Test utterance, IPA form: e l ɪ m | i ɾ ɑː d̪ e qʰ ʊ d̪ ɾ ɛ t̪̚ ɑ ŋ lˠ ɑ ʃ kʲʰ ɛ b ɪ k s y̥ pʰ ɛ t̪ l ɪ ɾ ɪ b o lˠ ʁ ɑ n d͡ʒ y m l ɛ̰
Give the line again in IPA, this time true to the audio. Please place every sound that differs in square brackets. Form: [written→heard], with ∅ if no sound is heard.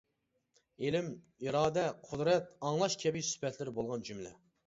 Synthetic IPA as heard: e l ɪ m | i ɾ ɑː d̪ [e→ɛ] qʰ ʊ d̪ ɾ ɛ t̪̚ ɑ ŋ lˠ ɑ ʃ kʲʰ ɛ b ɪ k s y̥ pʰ ɛ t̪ l ɪ ɾ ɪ b o lˠ ʁ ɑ n d͡ʒ y m l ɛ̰